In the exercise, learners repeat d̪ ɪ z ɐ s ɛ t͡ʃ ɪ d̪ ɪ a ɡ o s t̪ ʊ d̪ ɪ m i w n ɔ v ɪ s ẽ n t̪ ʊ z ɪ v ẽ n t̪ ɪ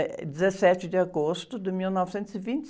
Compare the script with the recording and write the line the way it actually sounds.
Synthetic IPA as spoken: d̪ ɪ z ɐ s ɛ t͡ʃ ɪ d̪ ɪ a ɡ o s t̪ ʊ d̪ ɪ m i w n ɔ v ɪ s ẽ n t̪ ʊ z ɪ v ĩ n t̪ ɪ

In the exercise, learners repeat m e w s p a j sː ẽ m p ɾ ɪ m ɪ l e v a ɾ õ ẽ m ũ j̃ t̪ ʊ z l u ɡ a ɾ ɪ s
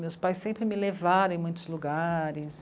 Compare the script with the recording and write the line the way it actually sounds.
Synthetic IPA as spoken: m e w s p a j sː ẽ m p ɾ ɪ m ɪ l e v a ɾ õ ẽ m ũ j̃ t̪ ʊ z l u ɡ a ɾ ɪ s

